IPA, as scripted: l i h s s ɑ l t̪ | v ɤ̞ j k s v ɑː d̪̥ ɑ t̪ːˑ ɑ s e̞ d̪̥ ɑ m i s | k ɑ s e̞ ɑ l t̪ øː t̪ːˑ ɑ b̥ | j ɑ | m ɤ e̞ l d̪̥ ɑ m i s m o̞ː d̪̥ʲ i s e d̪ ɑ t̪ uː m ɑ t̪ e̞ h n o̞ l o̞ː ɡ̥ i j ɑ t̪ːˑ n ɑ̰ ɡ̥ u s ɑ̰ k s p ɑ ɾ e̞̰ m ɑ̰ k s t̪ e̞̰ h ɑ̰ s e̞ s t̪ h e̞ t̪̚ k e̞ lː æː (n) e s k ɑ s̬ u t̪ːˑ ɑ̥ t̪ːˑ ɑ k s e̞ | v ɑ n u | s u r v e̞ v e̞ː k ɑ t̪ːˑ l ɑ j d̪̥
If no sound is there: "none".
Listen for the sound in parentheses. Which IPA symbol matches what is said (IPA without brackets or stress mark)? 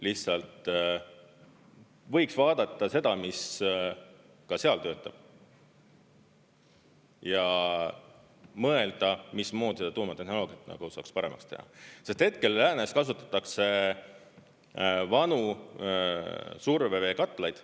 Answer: n